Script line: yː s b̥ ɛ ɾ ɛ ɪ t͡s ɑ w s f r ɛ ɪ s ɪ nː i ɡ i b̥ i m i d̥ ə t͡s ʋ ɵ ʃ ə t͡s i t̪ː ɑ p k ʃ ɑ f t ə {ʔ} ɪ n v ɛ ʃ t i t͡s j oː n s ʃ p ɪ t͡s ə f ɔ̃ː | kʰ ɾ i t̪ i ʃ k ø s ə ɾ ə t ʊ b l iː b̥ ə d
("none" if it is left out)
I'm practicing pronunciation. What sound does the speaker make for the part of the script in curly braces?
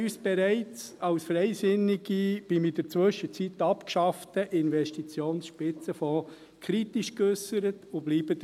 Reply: ʔ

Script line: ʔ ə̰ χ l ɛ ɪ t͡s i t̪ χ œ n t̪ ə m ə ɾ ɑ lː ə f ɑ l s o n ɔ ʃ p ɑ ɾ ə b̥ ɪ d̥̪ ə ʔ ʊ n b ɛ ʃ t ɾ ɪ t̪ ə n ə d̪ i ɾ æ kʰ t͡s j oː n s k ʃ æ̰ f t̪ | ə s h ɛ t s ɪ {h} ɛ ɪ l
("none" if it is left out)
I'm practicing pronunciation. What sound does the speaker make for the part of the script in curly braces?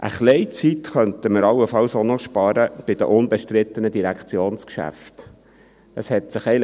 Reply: χ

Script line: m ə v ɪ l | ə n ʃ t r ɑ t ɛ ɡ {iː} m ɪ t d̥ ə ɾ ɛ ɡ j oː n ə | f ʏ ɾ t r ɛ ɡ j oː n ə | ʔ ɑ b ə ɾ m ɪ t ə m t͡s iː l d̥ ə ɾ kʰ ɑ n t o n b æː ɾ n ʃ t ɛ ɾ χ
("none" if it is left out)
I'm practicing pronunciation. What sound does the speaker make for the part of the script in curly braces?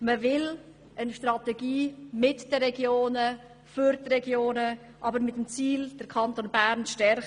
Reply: iː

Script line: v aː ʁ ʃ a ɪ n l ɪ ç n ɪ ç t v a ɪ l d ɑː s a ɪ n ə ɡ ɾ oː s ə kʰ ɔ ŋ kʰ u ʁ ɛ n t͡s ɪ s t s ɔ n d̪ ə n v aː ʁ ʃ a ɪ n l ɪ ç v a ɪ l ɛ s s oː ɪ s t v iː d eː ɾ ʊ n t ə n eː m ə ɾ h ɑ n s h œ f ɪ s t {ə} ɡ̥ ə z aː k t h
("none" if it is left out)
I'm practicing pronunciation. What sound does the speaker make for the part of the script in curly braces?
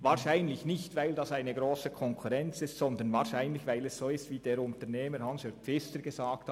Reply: ə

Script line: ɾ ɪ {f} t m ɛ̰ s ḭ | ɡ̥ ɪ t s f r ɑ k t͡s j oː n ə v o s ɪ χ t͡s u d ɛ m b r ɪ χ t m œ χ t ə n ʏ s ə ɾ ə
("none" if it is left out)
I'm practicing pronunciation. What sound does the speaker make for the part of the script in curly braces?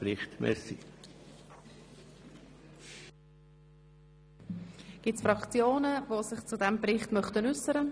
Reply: χ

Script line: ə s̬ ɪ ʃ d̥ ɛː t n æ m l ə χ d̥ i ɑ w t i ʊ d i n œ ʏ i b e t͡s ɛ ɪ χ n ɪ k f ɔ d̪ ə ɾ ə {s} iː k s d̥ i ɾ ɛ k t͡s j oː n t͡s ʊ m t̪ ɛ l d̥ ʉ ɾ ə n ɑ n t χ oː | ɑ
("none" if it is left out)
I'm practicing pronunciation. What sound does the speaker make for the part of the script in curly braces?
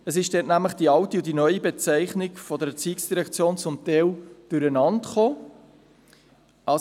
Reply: t͡s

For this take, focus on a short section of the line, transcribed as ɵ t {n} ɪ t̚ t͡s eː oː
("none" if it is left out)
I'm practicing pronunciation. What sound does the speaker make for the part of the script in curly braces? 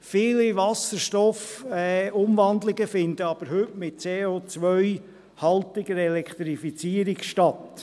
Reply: m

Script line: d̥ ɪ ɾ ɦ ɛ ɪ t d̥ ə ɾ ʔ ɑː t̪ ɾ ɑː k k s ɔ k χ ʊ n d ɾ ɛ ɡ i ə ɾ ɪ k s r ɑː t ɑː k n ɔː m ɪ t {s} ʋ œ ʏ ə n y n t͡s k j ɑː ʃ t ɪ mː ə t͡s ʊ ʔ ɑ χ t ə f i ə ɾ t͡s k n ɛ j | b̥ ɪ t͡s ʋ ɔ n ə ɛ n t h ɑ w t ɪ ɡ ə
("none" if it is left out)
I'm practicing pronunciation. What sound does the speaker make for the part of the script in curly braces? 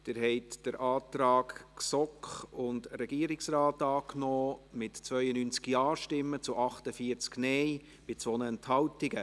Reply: t͡s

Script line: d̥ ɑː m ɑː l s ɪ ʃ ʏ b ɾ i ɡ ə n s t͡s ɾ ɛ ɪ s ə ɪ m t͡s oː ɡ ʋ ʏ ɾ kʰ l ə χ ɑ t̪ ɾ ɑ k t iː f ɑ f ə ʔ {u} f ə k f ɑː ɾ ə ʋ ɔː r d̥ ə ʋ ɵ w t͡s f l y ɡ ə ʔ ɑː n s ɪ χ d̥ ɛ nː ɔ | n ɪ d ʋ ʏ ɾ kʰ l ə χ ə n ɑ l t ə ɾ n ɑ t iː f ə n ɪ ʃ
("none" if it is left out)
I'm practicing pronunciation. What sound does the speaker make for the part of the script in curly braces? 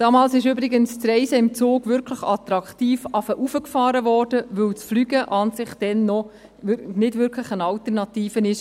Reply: u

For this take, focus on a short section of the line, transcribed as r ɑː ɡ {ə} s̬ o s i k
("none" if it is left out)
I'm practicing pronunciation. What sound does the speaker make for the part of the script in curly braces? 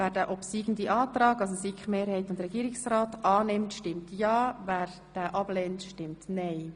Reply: ɑ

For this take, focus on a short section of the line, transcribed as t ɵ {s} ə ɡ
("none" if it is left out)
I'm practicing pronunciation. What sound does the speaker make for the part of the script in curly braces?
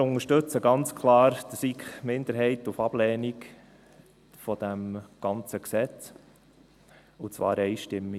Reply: t͡s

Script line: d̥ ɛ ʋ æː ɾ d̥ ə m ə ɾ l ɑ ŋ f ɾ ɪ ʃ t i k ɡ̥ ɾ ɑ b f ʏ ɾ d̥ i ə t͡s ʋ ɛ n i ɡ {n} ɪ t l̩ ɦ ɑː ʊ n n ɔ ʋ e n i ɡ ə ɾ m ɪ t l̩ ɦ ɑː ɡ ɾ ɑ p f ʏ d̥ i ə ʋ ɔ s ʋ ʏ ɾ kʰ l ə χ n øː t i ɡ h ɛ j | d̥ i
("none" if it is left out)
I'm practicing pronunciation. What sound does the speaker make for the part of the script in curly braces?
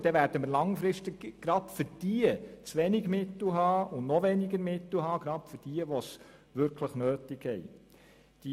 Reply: m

